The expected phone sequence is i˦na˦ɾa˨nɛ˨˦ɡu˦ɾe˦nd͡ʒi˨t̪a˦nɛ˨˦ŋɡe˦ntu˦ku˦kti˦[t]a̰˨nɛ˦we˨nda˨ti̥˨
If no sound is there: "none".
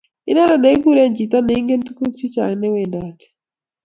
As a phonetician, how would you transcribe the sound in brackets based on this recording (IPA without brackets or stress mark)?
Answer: t͡ʃ